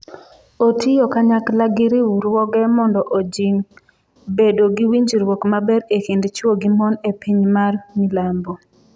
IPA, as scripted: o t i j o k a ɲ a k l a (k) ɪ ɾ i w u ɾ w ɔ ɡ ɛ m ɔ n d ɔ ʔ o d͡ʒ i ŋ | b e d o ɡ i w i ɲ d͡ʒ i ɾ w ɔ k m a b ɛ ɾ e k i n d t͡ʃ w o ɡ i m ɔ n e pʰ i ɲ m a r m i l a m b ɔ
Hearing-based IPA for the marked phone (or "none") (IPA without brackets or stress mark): ɡ